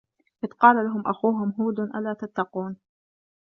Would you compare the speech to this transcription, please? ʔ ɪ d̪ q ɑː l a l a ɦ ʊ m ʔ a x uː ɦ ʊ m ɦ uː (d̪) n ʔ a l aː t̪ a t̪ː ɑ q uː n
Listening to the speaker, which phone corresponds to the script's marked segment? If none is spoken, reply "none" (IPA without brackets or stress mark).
d̪